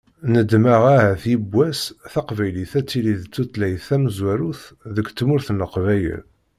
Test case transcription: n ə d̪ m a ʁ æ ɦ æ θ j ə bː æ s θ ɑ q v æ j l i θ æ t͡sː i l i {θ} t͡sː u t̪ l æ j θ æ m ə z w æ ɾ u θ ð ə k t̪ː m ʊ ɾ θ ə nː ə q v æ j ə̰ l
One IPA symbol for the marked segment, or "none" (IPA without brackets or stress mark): ð